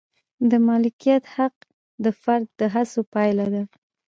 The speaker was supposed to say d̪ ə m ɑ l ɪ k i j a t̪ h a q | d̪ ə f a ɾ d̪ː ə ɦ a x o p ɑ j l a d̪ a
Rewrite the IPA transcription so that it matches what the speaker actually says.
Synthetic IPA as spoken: d̪ ə m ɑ l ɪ k i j a t̪ h a q | d̪ ə f a ɾ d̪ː ə ɦ a s o p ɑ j l a d̪ a